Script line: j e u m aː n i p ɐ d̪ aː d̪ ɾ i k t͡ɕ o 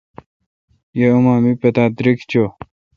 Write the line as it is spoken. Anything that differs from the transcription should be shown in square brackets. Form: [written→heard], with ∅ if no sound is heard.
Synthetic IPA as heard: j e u m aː [n→m] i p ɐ [d̪→t̪] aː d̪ ɾ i k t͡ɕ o